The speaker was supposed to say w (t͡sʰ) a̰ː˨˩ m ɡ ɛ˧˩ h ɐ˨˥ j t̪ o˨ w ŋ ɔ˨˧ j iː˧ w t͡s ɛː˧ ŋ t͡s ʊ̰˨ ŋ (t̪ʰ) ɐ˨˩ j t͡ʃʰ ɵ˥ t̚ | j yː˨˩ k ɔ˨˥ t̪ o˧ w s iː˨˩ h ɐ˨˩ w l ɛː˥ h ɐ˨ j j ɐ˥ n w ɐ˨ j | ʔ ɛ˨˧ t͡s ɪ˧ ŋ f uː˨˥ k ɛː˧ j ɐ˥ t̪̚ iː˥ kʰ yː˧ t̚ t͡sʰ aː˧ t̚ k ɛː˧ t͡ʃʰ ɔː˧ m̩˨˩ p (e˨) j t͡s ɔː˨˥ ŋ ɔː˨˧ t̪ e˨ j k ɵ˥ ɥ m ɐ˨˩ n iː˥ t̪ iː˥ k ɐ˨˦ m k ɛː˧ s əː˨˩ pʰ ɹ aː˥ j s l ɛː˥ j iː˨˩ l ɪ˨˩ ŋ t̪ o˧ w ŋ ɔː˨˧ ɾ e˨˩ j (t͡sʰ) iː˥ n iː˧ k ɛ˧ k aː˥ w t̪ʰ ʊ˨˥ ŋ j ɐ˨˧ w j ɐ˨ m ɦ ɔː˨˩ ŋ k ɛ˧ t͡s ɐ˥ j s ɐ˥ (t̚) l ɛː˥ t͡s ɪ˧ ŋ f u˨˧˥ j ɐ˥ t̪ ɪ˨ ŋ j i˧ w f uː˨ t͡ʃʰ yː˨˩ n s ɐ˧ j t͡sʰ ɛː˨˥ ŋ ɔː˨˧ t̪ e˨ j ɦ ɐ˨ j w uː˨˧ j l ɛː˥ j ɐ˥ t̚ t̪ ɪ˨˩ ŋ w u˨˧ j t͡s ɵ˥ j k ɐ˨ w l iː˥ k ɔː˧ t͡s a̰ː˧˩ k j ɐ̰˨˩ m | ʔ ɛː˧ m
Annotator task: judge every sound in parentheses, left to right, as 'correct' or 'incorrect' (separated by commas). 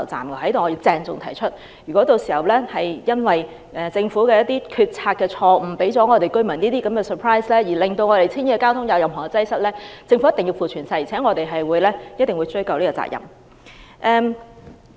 incorrect, correct, incorrect, correct, correct